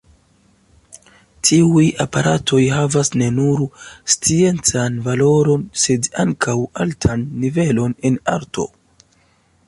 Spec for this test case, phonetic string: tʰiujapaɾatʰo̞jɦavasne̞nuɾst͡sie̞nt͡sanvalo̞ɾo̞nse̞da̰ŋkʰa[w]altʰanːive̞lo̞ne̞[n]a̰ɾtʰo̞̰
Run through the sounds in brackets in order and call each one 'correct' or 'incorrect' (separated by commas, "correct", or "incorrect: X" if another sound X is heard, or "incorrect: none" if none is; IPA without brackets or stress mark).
correct, correct